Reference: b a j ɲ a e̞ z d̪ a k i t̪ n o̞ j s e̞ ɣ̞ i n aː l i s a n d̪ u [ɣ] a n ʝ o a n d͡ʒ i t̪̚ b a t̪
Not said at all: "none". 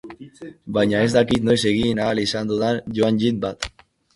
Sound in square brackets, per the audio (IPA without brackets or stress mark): ð